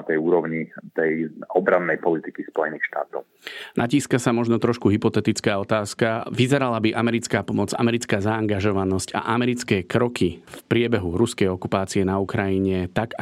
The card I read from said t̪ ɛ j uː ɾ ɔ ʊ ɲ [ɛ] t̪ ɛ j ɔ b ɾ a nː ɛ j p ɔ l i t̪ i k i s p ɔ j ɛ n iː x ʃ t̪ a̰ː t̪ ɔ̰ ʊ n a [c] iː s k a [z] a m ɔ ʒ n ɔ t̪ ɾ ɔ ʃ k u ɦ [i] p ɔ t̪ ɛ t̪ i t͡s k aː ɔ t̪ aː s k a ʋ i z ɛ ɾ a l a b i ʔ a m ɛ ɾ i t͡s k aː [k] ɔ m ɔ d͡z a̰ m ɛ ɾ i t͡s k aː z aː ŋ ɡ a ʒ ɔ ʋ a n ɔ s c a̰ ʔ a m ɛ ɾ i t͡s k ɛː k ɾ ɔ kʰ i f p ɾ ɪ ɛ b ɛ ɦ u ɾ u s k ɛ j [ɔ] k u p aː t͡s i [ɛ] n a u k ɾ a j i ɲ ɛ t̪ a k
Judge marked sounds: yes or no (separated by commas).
no, yes, no, yes, no, yes, yes